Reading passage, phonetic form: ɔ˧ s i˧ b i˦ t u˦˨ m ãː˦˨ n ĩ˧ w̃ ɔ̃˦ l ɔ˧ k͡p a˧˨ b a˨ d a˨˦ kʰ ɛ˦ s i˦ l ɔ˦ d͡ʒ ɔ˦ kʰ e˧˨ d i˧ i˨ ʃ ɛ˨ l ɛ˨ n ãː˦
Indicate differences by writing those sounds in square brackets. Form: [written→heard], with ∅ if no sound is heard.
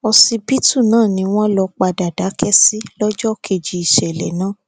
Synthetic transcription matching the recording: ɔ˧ s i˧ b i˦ t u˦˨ [m→n] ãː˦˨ n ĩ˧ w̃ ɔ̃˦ l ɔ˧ k͡p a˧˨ [b→d] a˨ d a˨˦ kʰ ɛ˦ s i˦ l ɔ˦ d͡ʒ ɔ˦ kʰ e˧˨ [d→d͡ʒ] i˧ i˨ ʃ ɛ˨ l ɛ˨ n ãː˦

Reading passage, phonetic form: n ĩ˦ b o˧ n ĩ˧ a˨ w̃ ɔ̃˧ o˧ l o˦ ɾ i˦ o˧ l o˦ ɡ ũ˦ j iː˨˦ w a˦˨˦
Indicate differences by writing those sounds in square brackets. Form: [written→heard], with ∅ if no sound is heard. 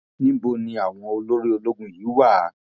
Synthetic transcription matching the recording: n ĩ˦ b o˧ n ĩ˧ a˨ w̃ ɔ̃˧ o˧ l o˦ ɾ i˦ o˧ l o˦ ɡ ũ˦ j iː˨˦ w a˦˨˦

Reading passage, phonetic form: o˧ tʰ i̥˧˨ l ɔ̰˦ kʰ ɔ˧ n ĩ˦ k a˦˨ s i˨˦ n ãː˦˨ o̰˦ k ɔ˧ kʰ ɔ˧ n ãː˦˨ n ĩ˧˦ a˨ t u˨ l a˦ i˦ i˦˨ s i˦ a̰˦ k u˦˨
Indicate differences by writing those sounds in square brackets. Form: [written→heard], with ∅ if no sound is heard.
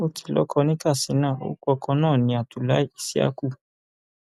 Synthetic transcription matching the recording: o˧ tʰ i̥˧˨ l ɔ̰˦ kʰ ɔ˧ n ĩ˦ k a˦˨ s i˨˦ n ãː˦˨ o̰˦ k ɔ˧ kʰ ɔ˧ n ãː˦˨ n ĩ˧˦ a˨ t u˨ l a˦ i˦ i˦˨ s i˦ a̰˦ k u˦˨

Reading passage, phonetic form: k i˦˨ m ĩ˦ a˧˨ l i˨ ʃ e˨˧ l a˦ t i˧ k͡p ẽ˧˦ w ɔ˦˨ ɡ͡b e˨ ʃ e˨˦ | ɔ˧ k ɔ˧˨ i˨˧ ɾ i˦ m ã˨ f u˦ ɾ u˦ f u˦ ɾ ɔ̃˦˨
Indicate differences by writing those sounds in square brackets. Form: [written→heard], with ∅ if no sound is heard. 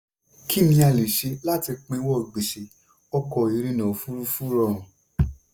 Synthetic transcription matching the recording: k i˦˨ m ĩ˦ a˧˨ l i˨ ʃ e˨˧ l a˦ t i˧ k͡p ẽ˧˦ w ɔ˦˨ ɡ͡b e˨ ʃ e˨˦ | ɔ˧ k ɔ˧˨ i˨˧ ɾ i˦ [m→n] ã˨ f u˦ ɾ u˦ f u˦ ɾ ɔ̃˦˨

